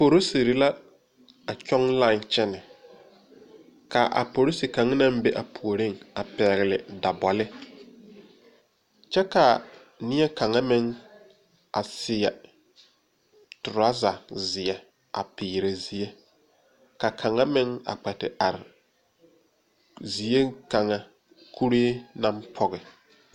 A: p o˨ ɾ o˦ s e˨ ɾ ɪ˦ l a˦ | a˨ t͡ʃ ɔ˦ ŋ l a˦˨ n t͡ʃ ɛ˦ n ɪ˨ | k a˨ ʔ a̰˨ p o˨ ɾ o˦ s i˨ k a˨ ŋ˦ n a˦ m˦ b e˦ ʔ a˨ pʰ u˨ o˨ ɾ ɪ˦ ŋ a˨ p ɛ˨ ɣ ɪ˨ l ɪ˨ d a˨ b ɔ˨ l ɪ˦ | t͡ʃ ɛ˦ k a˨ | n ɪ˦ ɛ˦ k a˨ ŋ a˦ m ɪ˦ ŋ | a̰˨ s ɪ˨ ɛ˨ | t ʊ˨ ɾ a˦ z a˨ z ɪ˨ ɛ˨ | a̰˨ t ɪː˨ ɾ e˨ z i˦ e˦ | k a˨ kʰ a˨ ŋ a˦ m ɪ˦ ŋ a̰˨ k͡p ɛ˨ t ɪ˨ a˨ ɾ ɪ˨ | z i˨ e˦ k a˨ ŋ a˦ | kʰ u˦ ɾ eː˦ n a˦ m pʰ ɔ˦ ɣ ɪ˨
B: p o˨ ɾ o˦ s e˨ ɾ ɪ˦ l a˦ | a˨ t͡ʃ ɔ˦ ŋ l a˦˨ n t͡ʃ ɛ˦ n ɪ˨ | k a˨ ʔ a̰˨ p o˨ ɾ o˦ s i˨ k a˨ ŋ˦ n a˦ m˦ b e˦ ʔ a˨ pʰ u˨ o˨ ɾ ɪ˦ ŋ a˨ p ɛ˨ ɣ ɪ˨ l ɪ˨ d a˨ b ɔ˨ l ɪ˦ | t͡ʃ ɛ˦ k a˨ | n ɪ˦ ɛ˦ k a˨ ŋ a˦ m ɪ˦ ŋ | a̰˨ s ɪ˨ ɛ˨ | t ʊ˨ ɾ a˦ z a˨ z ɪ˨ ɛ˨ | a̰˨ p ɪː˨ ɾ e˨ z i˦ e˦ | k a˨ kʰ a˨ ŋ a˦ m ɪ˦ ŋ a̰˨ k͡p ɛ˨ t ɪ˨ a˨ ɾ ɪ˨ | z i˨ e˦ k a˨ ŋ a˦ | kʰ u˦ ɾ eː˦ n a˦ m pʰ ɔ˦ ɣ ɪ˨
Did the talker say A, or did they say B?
B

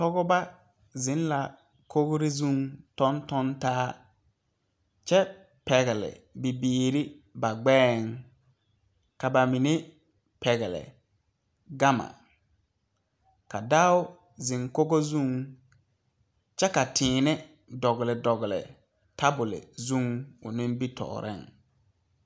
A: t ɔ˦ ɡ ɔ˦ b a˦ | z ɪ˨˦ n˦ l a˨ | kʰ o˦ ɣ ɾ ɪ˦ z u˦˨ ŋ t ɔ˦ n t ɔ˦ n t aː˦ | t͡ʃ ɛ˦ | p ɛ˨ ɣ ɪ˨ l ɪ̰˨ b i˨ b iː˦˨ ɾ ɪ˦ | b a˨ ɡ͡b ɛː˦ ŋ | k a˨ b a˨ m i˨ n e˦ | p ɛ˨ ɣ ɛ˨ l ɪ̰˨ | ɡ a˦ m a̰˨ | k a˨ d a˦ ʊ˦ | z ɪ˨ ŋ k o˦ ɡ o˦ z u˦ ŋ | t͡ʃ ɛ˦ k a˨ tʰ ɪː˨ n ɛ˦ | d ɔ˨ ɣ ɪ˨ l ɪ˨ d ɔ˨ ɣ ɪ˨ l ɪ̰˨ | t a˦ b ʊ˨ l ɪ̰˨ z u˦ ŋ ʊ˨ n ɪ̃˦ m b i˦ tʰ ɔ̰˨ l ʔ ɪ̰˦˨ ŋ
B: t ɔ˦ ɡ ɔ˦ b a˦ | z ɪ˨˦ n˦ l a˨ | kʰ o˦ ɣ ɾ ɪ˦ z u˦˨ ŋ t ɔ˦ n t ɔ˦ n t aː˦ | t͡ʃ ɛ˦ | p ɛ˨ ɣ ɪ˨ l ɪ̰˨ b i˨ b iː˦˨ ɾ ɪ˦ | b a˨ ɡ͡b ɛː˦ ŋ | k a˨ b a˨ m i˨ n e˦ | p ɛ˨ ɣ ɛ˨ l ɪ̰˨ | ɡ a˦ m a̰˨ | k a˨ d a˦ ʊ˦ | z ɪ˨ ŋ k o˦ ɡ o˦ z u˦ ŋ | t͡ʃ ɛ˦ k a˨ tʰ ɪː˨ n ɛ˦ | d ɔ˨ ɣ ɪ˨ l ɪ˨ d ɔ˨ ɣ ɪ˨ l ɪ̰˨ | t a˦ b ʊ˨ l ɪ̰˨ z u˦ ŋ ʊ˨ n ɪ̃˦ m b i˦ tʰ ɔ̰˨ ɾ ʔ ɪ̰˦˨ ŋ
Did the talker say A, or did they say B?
B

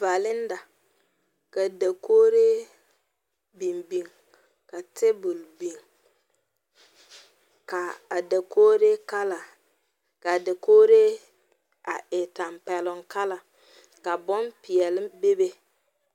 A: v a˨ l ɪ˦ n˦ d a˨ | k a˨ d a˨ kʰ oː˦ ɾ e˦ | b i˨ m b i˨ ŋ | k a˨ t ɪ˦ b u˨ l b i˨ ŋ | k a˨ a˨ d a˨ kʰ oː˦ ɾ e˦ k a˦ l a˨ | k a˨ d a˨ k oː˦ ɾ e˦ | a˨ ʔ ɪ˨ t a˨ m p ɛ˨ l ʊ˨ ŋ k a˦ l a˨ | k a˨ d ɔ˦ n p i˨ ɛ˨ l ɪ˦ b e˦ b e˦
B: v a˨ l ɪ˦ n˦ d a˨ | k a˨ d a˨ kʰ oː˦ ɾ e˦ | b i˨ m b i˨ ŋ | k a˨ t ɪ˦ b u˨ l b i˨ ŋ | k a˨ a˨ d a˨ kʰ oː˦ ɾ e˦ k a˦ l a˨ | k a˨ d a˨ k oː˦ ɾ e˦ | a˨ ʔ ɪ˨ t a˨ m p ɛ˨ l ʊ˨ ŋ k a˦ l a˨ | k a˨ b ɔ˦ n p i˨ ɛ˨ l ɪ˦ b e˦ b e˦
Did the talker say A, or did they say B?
B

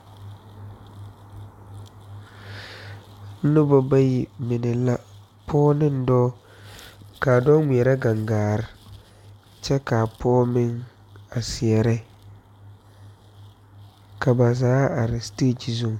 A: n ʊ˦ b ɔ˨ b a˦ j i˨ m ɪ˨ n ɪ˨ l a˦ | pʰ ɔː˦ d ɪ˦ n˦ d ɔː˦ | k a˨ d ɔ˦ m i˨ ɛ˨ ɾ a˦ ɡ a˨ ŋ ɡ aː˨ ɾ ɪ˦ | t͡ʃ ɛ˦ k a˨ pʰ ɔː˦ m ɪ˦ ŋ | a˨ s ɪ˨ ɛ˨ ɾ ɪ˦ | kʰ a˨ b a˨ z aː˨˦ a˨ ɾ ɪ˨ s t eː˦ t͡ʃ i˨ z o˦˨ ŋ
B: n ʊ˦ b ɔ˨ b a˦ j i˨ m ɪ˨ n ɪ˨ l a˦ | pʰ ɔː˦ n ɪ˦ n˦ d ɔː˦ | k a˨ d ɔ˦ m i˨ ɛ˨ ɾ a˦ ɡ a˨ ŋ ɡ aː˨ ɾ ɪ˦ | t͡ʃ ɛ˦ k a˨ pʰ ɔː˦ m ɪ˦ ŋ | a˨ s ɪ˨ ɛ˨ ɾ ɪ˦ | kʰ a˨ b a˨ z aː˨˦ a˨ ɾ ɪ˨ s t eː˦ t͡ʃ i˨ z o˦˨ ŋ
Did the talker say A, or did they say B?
B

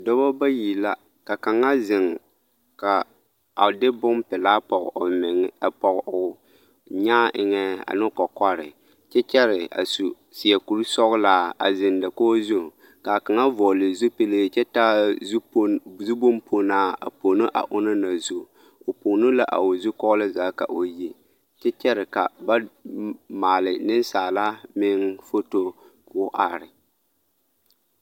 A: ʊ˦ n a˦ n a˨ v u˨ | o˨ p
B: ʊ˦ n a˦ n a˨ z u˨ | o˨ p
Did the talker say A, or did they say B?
B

